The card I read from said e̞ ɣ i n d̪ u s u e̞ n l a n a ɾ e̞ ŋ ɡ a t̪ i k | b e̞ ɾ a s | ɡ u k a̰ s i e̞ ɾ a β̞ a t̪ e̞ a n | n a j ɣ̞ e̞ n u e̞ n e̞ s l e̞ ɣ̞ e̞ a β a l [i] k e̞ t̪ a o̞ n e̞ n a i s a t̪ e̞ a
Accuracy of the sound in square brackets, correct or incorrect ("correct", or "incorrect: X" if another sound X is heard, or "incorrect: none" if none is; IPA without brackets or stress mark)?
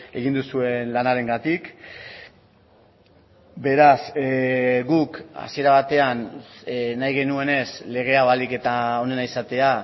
correct